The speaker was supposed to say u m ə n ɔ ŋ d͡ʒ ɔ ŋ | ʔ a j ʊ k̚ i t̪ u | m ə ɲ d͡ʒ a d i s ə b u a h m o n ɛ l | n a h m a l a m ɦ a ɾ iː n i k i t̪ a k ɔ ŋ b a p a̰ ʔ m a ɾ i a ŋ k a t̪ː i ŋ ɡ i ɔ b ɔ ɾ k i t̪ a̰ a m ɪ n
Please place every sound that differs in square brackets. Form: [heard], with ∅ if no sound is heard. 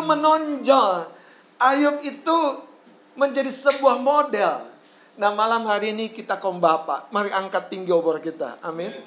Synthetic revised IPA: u m ə n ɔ [ɲ] d͡ʒ ɔ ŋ | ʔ a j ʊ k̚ i t̪ u | m ə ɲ d͡ʒ a d i s ə b u a h m o [d] ɛ l | n a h m a l a m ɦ a ɾ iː n i k i t̪ a k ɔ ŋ b a p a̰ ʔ m a ɾ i a ŋ k a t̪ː i ŋ ɡ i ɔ b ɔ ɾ k i t̪ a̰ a m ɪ n